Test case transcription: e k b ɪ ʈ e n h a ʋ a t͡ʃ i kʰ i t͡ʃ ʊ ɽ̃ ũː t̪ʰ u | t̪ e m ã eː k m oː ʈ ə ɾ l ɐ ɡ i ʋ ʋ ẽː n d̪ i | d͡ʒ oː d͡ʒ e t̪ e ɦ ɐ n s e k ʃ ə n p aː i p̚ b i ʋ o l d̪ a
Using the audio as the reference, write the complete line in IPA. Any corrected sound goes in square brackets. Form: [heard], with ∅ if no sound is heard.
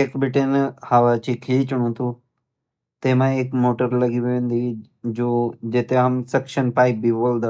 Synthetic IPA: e k b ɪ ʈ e n h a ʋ a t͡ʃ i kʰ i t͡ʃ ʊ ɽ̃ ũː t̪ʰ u | t̪ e m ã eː k m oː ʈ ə ɾ l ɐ ɡ i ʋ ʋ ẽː n d̪ i | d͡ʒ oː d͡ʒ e t̪ e ɦ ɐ [m] s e k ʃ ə n p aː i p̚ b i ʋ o l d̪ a